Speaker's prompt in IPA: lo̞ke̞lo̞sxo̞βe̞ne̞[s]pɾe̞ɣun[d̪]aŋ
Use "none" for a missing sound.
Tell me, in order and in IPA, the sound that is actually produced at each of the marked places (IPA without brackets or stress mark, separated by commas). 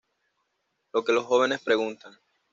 s, t̪